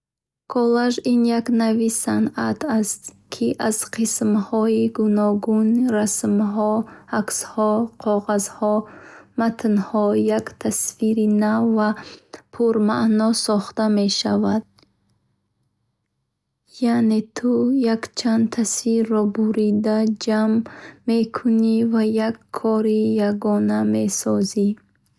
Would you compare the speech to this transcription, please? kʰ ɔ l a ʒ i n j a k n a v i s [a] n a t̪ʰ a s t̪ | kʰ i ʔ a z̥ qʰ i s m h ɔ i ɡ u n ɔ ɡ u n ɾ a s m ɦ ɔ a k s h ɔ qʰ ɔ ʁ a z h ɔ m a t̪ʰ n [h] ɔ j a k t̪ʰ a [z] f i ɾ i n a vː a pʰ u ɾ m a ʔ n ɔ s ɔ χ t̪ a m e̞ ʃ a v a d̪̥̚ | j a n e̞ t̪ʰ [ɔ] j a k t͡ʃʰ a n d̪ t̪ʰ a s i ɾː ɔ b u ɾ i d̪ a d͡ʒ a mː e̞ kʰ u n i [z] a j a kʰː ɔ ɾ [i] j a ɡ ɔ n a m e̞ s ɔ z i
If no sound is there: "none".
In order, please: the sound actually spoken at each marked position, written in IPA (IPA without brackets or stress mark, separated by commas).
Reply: a, h, s, u, v, i